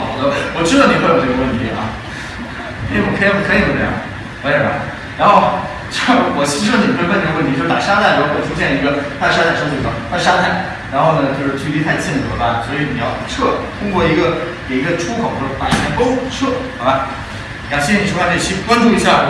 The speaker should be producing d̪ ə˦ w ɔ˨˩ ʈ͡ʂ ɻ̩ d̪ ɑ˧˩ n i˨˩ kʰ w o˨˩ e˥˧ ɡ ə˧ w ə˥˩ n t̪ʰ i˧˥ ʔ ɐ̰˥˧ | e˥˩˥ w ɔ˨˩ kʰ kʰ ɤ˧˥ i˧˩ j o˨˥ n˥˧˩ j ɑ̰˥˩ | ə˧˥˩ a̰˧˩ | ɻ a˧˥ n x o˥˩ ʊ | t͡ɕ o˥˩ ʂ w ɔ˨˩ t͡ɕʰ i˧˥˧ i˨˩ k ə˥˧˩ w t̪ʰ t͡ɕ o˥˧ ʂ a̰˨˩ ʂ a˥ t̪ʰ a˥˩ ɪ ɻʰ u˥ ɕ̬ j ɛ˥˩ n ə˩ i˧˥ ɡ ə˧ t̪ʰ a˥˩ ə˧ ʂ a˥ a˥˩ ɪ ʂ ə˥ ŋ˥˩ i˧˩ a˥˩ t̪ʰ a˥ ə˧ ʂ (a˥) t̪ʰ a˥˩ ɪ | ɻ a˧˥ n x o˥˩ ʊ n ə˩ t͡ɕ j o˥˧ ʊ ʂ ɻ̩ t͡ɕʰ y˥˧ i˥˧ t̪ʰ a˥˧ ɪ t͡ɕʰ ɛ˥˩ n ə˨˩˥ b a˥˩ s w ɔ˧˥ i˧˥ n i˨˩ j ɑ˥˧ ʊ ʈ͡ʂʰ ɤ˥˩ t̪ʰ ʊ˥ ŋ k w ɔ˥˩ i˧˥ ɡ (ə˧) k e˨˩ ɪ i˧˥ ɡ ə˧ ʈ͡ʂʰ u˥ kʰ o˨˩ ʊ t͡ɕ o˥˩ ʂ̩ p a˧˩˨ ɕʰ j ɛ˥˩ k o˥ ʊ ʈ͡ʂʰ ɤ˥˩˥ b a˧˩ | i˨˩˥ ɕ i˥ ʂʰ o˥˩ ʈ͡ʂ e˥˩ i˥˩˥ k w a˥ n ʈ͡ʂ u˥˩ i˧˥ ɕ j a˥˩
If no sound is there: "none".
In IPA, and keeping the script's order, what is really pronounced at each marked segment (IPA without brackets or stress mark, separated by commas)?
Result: a˥, ə˧